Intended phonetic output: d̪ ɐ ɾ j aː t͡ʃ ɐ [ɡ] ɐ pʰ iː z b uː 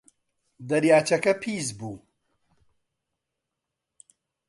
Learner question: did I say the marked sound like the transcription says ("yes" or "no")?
no